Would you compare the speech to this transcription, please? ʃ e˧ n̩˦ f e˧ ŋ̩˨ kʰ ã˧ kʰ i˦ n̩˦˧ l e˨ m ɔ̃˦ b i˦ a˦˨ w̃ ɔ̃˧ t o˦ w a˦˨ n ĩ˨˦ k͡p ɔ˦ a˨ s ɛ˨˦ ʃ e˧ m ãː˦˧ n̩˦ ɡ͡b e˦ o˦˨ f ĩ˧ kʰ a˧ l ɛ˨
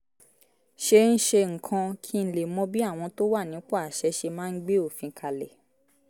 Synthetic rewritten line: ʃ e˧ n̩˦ ʃ e˧ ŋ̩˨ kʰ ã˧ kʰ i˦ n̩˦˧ l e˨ m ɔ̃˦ b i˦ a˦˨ w̃ ɔ̃˧ t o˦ w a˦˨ n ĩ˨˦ k͡p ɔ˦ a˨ ʃ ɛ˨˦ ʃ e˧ m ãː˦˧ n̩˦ ɡ͡b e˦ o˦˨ f ĩ˧ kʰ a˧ l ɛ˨

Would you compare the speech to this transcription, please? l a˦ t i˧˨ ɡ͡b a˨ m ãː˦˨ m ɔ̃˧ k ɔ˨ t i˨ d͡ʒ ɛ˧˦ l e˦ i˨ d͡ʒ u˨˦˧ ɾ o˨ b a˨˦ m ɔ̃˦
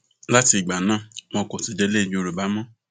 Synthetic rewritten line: l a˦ t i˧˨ ɡ͡b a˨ n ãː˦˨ m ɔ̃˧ k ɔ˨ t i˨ d͡ʒ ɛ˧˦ l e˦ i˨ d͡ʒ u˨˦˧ ɾ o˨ b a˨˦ m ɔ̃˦

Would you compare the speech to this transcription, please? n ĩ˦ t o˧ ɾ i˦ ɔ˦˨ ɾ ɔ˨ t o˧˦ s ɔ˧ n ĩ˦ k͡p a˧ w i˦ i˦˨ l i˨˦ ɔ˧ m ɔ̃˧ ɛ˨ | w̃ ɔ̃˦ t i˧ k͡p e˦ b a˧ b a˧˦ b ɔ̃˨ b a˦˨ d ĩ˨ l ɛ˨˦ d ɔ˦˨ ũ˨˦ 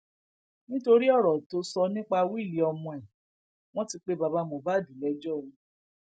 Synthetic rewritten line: n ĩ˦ t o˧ ɾ i˦ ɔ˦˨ ɾ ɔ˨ t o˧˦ s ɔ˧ n ĩ˦ k͡p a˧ w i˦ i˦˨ l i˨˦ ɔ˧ m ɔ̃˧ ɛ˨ | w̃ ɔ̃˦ t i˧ k͡p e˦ b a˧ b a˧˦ m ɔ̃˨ b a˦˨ d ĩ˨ l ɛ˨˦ d͡ʒ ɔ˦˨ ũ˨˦

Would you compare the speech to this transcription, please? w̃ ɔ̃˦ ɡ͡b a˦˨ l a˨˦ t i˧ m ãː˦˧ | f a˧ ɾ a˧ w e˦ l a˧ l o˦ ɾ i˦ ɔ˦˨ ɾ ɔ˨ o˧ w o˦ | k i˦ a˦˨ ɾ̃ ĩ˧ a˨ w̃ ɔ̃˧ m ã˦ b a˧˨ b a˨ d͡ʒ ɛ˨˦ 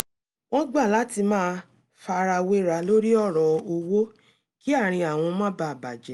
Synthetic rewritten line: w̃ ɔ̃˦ ɡ͡b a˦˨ l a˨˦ t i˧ m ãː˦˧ | f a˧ ɾ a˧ w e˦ ɾ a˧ l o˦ ɾ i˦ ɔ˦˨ ɾ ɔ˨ o˧ w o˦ | k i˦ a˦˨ ɾ̃ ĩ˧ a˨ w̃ ɔ̃˧ m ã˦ b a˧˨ b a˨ d͡ʒ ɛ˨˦

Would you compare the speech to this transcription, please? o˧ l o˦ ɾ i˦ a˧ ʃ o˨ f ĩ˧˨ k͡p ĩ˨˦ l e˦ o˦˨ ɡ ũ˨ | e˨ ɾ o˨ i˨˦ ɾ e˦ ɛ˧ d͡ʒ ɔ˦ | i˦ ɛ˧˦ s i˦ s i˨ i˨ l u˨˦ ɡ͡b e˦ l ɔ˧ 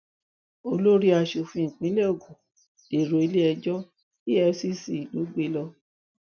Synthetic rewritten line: o˧ l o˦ ɾ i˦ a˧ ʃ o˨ f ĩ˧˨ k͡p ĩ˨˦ l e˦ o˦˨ ɡ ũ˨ | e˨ ɾ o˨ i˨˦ l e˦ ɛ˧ d͡ʒ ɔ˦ | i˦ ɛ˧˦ s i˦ s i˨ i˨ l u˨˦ ɡ͡b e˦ l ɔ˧

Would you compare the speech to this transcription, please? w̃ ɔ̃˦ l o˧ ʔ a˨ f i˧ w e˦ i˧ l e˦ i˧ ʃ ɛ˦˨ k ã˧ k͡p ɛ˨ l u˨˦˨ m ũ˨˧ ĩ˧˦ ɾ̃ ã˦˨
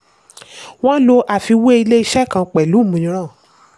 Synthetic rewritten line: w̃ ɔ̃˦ l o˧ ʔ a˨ f i˧ w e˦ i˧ l e˦ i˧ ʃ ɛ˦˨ k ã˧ k͡p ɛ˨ l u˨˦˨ m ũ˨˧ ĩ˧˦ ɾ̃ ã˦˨

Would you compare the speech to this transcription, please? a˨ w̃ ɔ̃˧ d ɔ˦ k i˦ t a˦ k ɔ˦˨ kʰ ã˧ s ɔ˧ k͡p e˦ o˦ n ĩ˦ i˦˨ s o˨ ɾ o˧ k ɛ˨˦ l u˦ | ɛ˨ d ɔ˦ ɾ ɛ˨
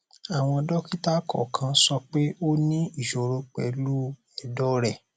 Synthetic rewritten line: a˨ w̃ ɔ̃˧ d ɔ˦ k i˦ t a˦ k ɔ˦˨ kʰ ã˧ s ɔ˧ k͡p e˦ o˦ n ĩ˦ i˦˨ ʃ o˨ ɾ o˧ k͡p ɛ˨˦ l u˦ | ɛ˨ d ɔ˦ ɾ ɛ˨

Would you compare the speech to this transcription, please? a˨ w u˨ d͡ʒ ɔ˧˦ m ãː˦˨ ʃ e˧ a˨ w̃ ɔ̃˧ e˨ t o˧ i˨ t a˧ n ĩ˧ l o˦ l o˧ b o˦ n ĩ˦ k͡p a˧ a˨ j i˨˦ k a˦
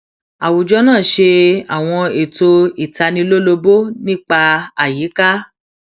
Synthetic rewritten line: a˨ w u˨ d͡ʒ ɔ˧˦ n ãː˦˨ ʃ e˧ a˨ w̃ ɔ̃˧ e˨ t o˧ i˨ t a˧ n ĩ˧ l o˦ l o˧ b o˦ n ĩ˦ k͡p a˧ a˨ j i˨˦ k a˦

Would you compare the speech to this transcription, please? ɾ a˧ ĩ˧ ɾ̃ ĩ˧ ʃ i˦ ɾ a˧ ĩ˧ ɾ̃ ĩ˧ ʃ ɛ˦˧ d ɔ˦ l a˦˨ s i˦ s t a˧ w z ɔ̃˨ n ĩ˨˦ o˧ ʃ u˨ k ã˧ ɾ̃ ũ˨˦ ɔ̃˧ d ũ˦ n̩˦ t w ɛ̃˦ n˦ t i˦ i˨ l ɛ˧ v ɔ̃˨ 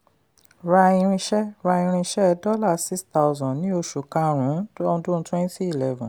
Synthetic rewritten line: ɾ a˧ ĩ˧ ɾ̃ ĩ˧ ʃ ɛ˦ ɾ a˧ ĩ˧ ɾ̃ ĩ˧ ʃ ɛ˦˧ d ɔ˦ l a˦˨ s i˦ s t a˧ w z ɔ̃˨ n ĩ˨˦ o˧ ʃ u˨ k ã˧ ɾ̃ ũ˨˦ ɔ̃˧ d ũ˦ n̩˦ t w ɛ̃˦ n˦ t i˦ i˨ l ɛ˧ v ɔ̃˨

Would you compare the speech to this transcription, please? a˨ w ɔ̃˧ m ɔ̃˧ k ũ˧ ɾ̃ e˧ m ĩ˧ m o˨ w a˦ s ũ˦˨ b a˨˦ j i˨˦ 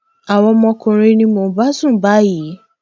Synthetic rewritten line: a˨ w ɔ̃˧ m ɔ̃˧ k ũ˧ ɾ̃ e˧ n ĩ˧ m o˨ b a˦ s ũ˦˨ b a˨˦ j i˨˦

